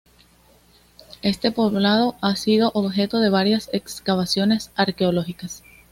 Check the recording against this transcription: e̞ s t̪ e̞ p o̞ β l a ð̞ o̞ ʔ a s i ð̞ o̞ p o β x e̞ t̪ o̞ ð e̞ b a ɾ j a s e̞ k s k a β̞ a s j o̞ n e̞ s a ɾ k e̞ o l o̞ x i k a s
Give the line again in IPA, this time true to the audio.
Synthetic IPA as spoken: e̞ s t̪ e̞ p o̞ β l a ð̞ o̞ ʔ a s i ð̞ o̞ ʔ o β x e̞ t̪ o̞ ð e̞ β a ɾ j a s e̞ k s k a β̞ a s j o̞ n e̞ s a ɾ k e̞ o l o̞ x i k a s